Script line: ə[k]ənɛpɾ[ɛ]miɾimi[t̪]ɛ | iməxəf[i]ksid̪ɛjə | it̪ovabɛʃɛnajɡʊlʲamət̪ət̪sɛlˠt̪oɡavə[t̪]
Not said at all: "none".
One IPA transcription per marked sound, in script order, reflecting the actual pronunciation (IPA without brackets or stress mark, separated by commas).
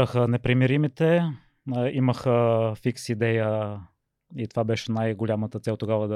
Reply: x, i, t̪, i, d̪